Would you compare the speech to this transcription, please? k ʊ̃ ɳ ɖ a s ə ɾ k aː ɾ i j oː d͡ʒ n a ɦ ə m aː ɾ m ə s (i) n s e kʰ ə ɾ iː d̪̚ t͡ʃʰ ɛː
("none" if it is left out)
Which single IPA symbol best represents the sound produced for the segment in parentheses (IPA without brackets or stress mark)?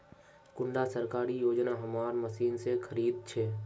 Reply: iː